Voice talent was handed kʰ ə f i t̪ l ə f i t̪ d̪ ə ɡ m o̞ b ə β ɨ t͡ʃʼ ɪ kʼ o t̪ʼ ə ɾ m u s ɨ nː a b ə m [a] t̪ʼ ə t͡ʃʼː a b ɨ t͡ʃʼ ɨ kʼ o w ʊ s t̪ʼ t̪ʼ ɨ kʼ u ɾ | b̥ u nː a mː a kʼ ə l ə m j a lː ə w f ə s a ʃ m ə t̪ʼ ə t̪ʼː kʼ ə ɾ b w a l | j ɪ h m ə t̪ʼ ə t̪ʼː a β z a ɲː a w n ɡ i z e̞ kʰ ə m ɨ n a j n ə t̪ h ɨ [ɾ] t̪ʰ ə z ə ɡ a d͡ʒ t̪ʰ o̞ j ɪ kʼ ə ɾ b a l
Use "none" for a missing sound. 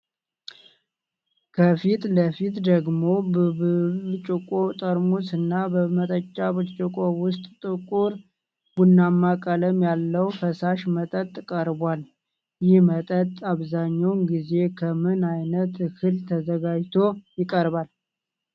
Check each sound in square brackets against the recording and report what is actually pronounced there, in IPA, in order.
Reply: ə, l

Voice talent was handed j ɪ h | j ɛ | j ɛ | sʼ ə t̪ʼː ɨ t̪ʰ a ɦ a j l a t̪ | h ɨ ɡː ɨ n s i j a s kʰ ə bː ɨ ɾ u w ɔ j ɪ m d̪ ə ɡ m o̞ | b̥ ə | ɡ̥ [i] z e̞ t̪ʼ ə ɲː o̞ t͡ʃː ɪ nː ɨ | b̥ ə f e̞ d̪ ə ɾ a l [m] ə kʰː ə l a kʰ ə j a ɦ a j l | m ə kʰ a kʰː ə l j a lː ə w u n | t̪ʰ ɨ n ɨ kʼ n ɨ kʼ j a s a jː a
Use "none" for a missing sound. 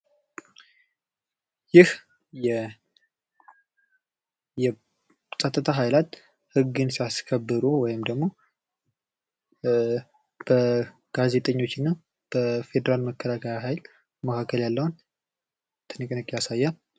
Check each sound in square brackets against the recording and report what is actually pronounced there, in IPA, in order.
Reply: a, m

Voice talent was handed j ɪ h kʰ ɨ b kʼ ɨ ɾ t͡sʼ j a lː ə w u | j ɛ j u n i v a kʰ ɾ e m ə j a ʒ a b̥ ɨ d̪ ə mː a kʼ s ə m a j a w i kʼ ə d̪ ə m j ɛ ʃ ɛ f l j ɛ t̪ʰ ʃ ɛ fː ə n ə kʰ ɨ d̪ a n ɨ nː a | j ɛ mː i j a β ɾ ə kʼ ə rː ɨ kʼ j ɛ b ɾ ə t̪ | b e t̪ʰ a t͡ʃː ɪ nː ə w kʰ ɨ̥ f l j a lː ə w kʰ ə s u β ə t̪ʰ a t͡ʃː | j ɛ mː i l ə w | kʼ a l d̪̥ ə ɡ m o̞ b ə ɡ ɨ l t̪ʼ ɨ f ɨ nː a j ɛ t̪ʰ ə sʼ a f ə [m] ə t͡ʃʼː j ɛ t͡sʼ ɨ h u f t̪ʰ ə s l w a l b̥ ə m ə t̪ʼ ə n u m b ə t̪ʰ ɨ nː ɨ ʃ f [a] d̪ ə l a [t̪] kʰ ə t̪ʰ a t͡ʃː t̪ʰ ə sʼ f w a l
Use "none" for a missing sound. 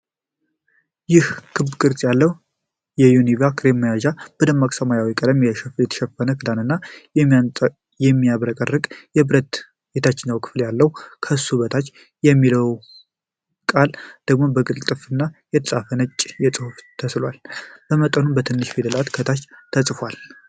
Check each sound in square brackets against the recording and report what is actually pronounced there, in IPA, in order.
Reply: n, e, t̪

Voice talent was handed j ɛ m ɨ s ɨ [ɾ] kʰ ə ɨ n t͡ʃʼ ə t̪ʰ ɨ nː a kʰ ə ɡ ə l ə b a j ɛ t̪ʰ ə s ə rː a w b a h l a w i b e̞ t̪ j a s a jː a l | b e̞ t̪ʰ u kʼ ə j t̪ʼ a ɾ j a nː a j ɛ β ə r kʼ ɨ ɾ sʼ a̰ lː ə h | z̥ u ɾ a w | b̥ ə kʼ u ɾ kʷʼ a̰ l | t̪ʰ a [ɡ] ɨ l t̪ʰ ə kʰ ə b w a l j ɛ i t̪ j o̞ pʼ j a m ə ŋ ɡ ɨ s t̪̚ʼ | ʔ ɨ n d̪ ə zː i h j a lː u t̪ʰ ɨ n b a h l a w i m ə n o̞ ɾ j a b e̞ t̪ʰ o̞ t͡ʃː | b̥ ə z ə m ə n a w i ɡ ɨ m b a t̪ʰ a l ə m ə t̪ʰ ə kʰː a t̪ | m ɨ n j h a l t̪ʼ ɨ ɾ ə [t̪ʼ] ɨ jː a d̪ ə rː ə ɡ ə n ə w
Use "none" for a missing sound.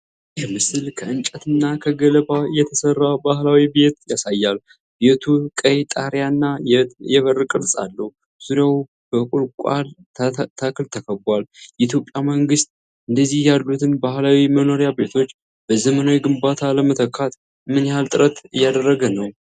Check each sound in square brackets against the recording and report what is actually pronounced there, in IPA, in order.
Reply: l, k, t̪

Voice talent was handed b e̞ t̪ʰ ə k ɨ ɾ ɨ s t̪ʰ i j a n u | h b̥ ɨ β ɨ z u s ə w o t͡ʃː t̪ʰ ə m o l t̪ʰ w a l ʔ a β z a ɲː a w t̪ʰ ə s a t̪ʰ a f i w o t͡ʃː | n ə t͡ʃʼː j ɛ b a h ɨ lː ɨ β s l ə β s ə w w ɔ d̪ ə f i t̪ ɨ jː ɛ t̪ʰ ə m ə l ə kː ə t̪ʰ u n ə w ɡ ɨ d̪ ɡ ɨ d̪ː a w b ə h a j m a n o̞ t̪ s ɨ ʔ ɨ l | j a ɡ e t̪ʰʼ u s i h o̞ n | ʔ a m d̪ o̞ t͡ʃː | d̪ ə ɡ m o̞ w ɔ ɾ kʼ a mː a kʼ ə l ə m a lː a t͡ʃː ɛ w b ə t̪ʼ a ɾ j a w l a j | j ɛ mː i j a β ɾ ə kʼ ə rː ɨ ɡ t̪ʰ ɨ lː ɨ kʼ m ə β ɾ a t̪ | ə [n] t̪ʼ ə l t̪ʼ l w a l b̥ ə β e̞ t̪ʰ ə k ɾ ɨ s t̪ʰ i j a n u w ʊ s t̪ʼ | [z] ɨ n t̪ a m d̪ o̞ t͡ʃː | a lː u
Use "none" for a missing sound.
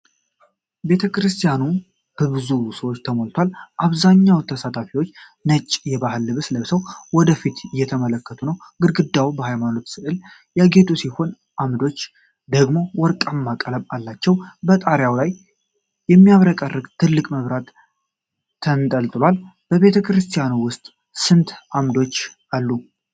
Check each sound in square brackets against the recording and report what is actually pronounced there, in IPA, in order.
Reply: n, s

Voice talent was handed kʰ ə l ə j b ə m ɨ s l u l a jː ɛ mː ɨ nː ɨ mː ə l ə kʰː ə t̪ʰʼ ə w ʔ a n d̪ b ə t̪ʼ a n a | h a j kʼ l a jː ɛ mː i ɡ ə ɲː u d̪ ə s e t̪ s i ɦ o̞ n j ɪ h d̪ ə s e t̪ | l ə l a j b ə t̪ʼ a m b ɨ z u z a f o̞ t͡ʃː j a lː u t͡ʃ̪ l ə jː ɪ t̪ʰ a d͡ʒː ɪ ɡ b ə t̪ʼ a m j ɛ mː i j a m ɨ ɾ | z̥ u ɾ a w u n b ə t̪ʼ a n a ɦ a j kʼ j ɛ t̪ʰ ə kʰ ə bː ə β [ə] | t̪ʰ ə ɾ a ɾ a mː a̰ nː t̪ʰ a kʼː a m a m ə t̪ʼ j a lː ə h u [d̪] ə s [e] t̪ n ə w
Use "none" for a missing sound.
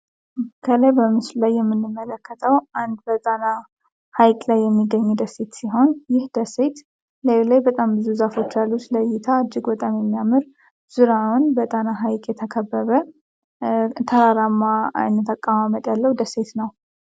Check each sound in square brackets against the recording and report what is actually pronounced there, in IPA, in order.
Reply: ə, d̪, e

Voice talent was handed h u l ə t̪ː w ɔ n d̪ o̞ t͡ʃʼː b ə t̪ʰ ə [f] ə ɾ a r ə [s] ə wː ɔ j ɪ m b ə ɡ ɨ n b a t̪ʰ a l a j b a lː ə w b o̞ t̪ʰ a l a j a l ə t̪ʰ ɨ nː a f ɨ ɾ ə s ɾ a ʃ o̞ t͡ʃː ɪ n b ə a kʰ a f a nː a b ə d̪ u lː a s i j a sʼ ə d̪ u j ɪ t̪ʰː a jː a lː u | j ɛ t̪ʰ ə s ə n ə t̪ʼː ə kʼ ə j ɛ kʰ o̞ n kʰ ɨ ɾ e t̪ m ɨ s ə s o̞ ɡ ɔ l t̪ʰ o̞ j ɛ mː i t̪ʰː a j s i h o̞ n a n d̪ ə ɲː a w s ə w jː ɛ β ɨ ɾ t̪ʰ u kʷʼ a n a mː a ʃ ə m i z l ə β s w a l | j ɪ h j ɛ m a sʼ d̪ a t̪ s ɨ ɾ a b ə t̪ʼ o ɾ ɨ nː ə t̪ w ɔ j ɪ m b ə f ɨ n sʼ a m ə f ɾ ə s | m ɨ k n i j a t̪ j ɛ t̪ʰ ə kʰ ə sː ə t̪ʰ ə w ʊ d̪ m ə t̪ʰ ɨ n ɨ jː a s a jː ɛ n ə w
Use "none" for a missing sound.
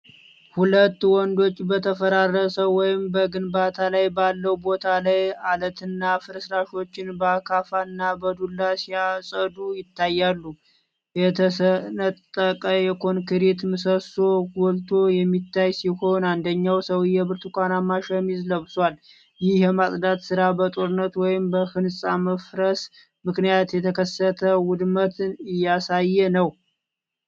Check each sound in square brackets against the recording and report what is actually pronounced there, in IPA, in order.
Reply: f, s

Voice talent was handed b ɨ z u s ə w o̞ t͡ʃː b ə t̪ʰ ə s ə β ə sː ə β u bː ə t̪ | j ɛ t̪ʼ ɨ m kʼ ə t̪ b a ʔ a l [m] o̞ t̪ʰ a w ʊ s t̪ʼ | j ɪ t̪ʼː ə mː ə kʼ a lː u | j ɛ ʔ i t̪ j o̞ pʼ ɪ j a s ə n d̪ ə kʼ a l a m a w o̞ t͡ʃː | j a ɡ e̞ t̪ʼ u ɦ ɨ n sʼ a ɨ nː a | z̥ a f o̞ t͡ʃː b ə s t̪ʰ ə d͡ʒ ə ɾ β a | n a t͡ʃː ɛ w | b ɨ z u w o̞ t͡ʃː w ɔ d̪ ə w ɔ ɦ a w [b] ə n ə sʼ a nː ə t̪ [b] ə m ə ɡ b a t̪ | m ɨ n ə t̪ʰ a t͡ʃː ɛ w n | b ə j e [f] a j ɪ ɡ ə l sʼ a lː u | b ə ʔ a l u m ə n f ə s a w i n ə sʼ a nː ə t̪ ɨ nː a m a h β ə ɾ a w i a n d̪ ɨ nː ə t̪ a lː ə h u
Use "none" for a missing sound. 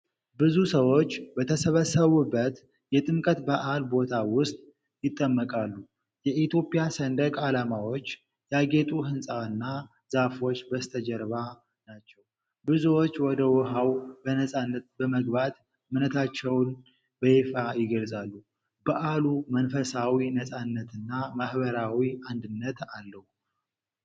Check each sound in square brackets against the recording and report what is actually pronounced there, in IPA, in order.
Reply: b, b, b, f

